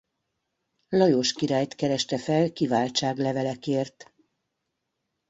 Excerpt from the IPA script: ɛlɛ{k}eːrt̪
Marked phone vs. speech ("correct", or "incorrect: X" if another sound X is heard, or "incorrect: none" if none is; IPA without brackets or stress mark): correct